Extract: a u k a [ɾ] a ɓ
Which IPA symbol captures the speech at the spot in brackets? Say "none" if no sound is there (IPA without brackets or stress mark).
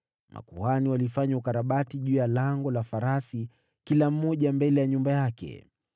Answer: ɾ